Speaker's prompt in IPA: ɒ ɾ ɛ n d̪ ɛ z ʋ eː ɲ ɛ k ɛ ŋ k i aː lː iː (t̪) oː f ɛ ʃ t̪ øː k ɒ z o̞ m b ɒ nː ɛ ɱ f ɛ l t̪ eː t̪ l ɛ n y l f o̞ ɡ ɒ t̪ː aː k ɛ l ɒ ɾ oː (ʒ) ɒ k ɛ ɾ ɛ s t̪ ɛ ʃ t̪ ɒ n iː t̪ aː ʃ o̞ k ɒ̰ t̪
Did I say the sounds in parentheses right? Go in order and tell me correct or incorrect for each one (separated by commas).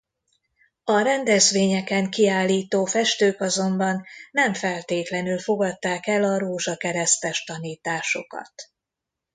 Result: correct, correct